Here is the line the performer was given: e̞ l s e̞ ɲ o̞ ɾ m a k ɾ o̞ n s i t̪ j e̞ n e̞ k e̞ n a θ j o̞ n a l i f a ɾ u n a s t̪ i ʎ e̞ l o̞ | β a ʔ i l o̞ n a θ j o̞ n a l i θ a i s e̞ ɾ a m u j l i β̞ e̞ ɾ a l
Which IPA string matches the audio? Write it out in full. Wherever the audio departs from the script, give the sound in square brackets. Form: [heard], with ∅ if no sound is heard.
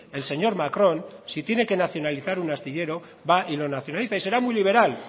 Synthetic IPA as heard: e̞ l s e̞ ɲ o̞ ɾ m a k ɾ o̞ n s i t̪ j e̞ n e̞ k e̞ n a θ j o̞ n a l i [θ] a ɾ u n a s t̪ i ʎ e̞ [ɾ] o̞ | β a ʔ i l o̞ n a θ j o̞ n a l i θ a i s e̞ ɾ a m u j l i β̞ e̞ ɾ a l